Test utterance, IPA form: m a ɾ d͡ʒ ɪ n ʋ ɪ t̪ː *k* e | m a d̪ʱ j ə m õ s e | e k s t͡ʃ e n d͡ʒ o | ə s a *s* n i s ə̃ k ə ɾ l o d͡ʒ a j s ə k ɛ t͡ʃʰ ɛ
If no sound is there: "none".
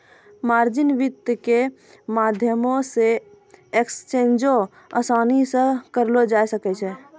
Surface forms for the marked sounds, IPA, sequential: k, none

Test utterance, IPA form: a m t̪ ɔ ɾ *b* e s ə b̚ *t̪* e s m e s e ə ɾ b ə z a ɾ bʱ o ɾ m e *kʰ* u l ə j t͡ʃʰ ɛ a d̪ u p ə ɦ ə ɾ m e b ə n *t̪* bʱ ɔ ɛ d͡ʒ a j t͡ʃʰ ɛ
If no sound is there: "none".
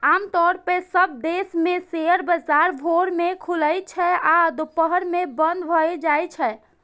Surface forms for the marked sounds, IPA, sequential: p, d̪, kʰ, d̪

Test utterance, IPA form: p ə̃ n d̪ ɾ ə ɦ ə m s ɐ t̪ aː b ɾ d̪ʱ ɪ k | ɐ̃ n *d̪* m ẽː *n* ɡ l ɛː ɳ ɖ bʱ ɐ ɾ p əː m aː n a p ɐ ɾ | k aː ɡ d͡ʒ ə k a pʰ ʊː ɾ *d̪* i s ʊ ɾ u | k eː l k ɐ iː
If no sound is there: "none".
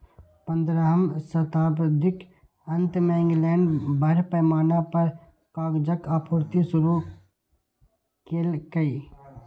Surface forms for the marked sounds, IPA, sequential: t̪, ŋ, t̪

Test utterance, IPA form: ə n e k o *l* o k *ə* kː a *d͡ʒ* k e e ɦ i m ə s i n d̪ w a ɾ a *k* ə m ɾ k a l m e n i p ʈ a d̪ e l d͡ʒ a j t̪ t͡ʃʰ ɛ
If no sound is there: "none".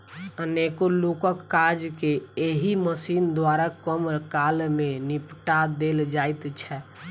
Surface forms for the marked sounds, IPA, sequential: l, ə, d͡ʒ, k

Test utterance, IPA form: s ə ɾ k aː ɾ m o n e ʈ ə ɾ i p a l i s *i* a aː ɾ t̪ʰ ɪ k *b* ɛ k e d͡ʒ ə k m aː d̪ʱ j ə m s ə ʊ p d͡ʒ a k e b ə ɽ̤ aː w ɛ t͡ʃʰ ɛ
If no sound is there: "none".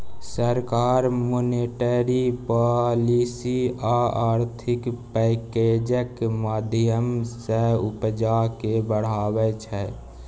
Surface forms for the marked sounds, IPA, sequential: i, p

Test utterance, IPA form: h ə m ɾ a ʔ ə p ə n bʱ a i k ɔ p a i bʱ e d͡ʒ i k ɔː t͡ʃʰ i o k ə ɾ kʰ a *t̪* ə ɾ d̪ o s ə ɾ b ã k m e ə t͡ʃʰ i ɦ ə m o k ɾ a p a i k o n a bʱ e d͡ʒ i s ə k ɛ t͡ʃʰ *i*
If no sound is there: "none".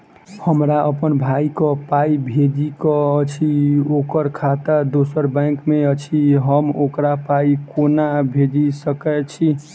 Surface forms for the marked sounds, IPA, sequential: t̪, i

